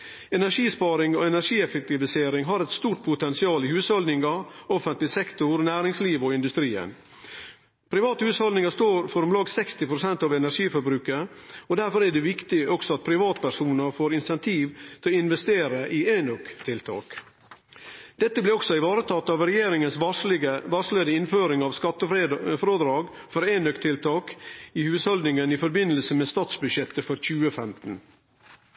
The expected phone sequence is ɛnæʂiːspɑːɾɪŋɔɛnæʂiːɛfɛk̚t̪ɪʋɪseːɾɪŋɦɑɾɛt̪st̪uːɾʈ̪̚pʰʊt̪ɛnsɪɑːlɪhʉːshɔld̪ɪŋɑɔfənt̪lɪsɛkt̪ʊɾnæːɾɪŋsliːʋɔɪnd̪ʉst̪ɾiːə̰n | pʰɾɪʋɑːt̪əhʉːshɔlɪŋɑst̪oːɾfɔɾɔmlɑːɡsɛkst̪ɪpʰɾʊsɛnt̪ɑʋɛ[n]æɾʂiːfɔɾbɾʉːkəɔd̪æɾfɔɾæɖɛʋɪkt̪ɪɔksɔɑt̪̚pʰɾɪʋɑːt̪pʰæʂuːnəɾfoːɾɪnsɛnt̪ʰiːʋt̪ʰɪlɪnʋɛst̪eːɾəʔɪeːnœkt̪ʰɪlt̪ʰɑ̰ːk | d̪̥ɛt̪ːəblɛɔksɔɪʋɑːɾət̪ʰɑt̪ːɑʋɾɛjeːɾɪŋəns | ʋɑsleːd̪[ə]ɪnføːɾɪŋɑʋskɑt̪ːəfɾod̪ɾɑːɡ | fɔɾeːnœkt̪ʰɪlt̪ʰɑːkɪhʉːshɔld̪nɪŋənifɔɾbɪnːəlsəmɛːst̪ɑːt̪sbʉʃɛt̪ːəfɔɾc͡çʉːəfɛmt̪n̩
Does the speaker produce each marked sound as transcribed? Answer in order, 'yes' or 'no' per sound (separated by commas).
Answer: yes, yes